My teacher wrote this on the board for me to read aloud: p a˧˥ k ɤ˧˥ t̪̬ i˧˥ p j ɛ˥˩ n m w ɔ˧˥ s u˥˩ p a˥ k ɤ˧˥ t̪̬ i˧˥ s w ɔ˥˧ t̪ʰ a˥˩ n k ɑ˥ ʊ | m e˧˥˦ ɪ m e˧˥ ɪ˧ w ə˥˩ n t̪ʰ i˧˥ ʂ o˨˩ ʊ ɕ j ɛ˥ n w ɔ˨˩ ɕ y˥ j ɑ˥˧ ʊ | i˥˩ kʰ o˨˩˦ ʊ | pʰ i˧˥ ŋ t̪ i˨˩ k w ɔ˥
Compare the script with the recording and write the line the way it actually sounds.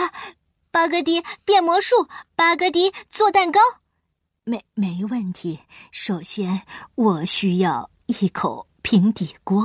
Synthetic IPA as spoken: p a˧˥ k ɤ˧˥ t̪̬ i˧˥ p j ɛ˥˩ n m w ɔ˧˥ ʂ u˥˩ p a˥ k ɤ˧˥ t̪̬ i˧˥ t͡s w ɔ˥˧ t̪ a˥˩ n k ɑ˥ ʊ | m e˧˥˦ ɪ m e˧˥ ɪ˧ w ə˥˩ n t̪ʰ i˧˥ ʂ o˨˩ ʊ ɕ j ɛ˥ n w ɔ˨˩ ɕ y˥ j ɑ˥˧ ʊ | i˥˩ kʰ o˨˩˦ ʊ | pʰ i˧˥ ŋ t̪ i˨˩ k w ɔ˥